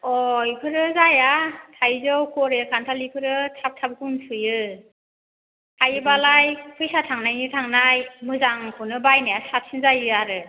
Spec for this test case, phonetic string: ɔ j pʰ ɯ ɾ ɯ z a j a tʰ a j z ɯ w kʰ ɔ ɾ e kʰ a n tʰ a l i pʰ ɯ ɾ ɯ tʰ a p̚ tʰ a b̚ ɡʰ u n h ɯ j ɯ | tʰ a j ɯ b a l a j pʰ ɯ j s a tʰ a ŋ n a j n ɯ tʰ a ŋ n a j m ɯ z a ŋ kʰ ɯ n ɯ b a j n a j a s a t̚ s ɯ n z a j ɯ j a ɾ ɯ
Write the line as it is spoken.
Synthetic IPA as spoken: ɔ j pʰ ɯ ɾ ɯ z a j a tʰ a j z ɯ w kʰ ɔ ɾ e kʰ a n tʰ a l i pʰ ɯ ɾ ɯ tʰ a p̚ tʰ a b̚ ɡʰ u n s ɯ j ɯ | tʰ a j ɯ b a l a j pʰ ɯ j s a tʰ a ŋ n a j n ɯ tʰ a ŋ n a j m ɯ z a ŋ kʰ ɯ n ɯ b a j n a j a s a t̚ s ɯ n z a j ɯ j a ɾ ɯ